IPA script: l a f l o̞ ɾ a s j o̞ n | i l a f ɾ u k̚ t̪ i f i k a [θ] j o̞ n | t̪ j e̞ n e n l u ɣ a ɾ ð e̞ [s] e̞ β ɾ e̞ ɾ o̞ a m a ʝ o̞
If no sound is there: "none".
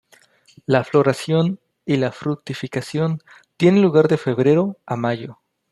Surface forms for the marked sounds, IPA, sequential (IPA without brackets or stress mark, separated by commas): s, f